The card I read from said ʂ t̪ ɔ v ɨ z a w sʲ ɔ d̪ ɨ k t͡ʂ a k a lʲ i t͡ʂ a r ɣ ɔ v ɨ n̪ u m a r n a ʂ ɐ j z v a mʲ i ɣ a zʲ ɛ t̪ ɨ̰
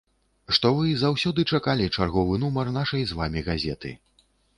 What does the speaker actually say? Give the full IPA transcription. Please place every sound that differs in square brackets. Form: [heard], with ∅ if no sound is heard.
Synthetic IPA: ʂ t̪ ɔ v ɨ z a w sʲ ɔ d̪ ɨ [∅] t͡ʂ a k a lʲ i t͡ʂ a r ɣ ɔ v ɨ n̪ u m [ɐ] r n a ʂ ɐ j z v a mʲ i ɣ a zʲ ɛ t̪ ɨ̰